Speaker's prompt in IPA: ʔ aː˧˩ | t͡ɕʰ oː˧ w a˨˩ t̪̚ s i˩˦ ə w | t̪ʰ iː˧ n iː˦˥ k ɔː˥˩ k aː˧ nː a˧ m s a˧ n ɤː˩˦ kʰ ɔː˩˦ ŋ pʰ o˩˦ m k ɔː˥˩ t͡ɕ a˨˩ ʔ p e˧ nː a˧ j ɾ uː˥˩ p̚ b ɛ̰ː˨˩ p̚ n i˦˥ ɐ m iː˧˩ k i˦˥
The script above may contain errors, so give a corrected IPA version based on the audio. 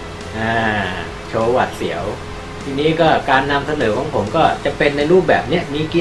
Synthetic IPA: ʔ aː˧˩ | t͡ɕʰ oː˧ w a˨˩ t̪̚ s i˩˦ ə w | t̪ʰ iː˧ n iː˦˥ k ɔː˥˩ k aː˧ nː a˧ m s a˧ n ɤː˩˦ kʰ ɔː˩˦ ŋ pʰ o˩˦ m k ɔː˥˩ t͡ɕ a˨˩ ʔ p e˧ nː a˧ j ɾ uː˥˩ p̚ b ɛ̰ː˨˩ p̚ n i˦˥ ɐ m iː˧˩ k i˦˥